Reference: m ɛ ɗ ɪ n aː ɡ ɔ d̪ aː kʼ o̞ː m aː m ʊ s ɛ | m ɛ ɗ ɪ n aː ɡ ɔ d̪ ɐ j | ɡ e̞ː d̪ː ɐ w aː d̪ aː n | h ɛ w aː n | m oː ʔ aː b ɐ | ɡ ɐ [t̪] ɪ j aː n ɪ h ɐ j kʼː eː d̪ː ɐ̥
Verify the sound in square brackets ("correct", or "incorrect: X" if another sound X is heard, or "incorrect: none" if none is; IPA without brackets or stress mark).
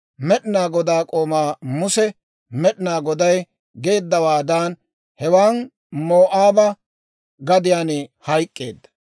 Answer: incorrect: d̪